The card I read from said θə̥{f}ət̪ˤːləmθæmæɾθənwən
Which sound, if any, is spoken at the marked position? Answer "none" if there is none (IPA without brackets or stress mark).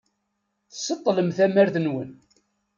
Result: s